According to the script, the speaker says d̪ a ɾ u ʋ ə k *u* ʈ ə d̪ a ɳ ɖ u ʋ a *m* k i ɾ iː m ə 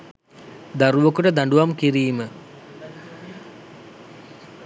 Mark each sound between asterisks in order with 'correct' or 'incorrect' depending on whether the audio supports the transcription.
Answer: correct, correct

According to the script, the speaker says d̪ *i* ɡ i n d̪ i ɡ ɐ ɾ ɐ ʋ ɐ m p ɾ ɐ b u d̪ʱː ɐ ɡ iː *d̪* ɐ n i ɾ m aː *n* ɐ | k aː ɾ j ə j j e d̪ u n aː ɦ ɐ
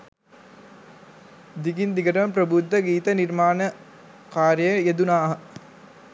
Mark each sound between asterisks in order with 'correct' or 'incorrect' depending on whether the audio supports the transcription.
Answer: correct, incorrect, correct

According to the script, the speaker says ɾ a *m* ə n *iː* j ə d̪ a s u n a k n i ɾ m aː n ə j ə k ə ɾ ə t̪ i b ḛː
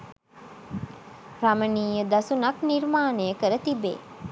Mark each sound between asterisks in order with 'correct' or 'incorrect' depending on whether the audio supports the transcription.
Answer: correct, correct

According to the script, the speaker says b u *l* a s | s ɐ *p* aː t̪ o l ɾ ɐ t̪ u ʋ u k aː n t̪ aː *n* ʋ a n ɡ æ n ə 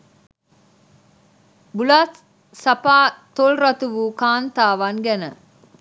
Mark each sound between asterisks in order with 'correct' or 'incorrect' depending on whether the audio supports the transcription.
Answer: correct, correct, incorrect

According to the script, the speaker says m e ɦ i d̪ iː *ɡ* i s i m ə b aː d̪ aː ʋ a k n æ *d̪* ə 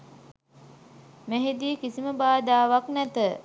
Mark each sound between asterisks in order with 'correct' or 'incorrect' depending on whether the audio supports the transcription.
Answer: incorrect, incorrect

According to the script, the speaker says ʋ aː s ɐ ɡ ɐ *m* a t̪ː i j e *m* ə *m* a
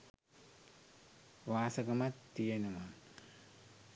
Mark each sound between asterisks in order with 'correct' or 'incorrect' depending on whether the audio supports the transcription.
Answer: correct, incorrect, correct

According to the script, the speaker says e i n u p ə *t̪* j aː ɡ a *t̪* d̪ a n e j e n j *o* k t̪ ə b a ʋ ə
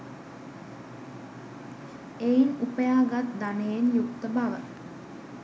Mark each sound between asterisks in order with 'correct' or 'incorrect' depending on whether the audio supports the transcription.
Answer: incorrect, correct, incorrect

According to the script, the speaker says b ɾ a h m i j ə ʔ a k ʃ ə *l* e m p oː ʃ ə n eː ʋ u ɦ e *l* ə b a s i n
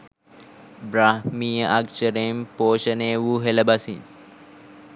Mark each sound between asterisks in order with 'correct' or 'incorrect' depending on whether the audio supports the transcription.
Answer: incorrect, correct

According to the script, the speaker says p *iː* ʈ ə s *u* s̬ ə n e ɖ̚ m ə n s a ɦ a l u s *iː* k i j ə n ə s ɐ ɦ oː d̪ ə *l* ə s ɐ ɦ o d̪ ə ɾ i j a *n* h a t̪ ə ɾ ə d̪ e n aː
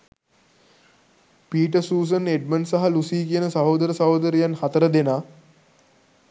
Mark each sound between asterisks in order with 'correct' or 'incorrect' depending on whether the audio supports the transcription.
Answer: correct, incorrect, correct, incorrect, correct

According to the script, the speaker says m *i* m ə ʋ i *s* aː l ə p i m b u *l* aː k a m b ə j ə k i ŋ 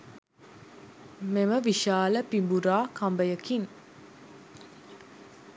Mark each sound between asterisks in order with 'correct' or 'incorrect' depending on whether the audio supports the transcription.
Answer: incorrect, incorrect, incorrect

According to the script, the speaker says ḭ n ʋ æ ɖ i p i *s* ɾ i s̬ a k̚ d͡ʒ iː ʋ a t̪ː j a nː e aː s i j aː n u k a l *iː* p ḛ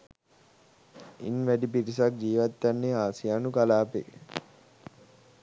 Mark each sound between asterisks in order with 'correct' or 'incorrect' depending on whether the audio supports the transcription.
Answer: incorrect, incorrect

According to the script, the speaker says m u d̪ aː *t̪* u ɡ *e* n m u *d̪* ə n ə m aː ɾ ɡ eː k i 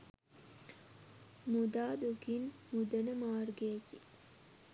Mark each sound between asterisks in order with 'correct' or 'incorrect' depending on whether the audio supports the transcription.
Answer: incorrect, incorrect, correct

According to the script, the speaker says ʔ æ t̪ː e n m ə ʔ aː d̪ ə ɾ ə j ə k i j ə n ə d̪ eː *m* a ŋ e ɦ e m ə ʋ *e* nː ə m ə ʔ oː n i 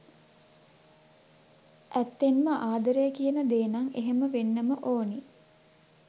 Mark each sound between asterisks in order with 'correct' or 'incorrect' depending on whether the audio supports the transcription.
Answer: incorrect, correct

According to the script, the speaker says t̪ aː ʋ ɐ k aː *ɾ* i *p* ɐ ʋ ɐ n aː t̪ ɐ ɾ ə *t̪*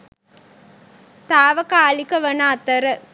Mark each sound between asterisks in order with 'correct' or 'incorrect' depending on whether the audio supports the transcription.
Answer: incorrect, incorrect, incorrect

